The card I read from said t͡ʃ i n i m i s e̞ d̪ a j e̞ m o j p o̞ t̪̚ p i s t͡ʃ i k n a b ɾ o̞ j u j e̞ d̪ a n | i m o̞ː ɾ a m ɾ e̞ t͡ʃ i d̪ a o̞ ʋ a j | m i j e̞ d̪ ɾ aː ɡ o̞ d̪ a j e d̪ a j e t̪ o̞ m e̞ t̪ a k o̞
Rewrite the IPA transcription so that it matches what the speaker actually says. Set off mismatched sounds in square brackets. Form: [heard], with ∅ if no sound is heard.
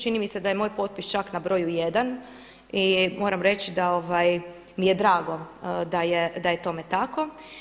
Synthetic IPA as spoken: t͡ʃ i n i m i s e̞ d̪ a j e̞ m o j p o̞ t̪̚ p i s t͡ʃ [a] k n a b ɾ o̞ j u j e̞ d̪ a n | i m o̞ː ɾ a m ɾ e̞ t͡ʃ i d̪ a o̞ ʋ a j | m i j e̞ d̪ ɾ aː ɡ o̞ d̪ a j e d̪ a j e t̪ o̞ m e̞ t̪ a k o̞